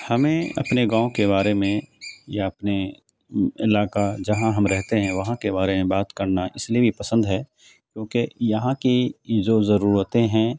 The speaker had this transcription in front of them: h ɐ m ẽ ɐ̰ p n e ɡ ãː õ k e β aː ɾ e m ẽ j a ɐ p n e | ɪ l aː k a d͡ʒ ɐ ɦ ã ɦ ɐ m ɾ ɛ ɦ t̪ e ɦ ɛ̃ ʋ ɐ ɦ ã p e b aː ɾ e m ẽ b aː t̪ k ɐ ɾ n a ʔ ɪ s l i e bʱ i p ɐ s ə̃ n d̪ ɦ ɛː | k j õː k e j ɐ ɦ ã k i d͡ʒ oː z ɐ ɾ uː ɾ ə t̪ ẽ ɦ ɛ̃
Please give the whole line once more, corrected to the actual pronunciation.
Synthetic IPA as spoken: h ɐ m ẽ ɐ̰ p n e ɡ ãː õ k e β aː ɾ e m ẽ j a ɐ p n e | ɪ l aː k a d͡ʒ ɐ ɦ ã ɦ ɐ m ɾ ɛ ɦ t̪ e ɦ ɛ̃ ʋ ɐ ɦ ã k e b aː ɾ e m ẽ b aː t̪ k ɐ ɾ n a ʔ ɪ s l i e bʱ i p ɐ s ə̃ n d̪ ɦ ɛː | k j õː k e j ɐ ɦ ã k i d͡ʒ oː z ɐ ɾ uː ɾ ə t̪ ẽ ɦ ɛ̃